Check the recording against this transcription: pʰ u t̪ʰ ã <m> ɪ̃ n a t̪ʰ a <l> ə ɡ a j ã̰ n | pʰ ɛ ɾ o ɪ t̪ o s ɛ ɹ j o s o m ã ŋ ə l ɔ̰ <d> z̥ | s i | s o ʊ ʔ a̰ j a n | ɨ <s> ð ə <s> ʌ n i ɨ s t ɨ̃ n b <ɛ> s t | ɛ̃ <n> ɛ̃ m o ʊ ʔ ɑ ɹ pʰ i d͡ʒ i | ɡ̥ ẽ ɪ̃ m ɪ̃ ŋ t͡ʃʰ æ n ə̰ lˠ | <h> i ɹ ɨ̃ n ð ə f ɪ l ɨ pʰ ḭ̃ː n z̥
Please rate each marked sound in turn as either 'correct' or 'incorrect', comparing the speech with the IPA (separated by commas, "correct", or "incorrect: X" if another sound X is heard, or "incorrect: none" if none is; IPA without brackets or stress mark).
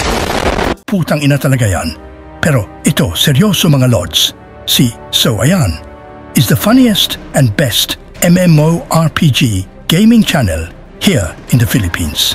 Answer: incorrect: ŋ, correct, correct, incorrect: z, incorrect: f, correct, incorrect: m, correct